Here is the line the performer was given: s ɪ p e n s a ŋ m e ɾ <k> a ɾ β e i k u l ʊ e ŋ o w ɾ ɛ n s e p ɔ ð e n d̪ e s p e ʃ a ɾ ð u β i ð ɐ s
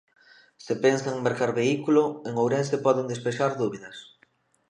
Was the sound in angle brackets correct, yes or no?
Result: yes